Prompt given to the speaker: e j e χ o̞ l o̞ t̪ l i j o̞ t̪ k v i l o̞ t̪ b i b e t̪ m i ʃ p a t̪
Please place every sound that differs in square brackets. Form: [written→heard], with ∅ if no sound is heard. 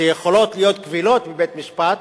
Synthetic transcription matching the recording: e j e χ o̞ l o̞ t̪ l i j o̞ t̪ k v i l o̞ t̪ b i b e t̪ m i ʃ p a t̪